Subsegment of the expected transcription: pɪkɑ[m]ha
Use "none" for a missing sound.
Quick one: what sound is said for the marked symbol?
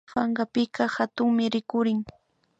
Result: none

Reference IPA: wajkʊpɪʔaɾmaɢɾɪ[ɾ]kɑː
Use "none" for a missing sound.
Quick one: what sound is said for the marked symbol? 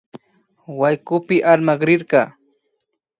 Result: ɾ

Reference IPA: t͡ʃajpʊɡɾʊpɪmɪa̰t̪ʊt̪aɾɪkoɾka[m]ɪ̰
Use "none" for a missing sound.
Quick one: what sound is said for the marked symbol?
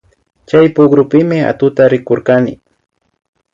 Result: n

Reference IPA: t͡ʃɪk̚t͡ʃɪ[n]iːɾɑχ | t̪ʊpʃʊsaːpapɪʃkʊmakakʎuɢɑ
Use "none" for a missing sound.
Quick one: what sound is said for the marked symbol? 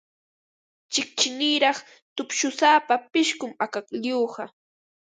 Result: n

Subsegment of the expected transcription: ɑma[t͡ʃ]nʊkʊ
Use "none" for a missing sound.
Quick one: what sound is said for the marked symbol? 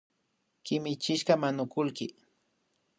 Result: none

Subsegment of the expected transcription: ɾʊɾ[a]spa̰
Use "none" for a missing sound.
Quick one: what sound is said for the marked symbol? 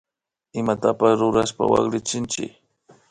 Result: a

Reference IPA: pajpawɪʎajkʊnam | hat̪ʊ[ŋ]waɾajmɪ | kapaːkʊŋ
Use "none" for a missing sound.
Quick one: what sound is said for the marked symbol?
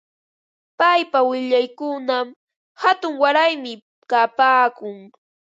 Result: ŋ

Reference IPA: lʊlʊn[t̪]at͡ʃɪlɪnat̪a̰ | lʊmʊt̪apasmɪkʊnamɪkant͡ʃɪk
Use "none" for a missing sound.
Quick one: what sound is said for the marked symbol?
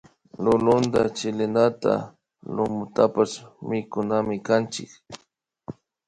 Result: d̪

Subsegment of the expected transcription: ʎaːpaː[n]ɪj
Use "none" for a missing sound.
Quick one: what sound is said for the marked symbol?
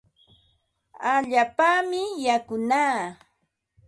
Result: m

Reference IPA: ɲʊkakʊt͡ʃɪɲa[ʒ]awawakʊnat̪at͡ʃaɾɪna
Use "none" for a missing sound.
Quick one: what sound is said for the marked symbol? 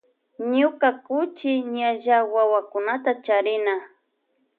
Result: ʒ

